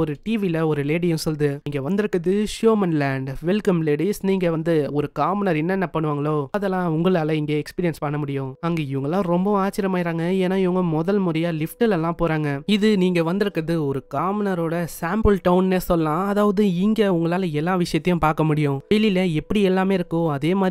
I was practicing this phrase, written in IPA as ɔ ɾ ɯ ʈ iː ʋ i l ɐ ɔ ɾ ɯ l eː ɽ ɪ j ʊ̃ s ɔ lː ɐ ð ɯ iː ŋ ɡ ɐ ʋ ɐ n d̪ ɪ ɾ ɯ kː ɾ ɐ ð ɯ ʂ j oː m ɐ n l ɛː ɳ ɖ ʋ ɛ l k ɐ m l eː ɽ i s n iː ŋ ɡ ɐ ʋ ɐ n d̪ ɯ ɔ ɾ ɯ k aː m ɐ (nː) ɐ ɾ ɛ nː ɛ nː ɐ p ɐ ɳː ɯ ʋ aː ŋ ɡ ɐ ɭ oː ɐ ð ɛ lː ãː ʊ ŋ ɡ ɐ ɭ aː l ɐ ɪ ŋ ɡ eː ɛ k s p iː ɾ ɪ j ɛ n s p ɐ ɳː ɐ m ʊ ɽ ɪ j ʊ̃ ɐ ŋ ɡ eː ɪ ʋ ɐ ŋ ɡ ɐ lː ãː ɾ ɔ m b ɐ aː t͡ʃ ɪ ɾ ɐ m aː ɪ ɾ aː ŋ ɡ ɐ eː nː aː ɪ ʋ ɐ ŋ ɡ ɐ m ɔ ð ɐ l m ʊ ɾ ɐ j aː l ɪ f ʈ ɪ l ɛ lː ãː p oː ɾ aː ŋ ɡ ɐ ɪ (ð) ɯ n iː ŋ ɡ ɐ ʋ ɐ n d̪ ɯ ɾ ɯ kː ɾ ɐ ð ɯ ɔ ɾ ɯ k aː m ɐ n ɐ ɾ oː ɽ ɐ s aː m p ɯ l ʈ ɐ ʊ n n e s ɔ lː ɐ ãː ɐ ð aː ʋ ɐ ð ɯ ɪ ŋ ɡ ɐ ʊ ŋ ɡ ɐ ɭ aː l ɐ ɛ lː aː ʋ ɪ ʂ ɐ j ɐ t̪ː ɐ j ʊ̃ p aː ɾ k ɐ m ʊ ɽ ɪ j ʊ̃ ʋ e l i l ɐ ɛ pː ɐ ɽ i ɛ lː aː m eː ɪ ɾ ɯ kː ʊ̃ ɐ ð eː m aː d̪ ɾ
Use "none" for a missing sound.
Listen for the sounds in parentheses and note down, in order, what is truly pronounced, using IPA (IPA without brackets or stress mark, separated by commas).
n, ð